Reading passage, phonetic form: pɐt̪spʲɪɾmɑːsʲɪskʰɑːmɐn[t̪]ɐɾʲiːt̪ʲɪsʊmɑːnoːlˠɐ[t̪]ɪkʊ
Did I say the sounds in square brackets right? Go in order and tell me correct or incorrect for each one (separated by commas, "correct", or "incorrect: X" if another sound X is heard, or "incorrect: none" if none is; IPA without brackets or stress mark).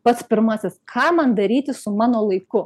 incorrect: d̪, incorrect: none